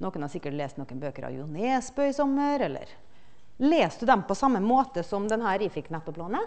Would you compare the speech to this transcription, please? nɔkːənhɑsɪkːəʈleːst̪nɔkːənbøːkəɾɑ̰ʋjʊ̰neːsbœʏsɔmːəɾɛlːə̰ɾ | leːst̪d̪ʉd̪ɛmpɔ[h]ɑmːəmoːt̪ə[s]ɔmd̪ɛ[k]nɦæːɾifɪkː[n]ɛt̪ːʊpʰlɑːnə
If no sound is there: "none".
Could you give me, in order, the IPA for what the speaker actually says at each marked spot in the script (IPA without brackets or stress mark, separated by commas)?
s, s, none, n